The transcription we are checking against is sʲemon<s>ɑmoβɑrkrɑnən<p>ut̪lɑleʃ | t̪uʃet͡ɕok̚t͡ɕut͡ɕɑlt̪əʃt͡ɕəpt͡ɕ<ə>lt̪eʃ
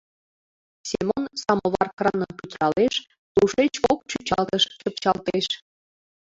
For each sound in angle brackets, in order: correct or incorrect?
correct, correct, incorrect: ɑ

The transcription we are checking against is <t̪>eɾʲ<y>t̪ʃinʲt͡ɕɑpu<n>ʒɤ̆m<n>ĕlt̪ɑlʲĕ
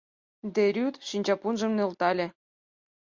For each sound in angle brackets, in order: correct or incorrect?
incorrect: d̪, correct, correct, correct

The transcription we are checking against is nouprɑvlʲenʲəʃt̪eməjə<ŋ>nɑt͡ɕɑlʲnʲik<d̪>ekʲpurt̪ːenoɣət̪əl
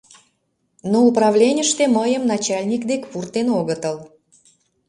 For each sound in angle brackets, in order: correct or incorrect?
incorrect: m, correct

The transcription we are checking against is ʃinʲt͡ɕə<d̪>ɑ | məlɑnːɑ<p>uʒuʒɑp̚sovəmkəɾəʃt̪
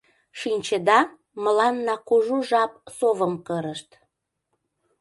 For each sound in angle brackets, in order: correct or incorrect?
correct, incorrect: k

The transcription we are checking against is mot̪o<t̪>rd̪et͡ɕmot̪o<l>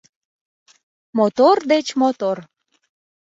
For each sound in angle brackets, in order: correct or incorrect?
incorrect: none, incorrect: r

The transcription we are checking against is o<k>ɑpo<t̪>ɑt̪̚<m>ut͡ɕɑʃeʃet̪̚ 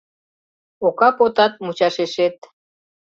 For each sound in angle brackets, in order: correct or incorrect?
correct, correct, correct

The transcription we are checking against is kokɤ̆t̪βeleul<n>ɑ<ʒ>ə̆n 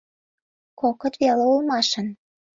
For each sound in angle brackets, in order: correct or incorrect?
incorrect: m, incorrect: ʃ

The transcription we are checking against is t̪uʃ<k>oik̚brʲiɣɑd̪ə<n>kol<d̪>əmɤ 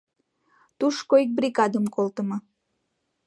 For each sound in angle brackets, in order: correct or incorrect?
correct, incorrect: m, incorrect: t̪

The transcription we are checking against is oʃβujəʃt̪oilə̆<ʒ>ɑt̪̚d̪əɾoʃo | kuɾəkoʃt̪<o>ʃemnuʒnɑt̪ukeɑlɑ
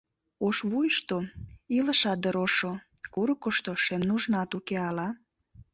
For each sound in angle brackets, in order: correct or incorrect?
incorrect: ʃ, correct

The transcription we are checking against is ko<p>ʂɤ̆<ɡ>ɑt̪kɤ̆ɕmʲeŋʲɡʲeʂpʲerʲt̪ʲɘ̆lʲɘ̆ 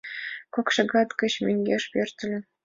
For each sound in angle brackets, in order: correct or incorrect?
incorrect: k, correct

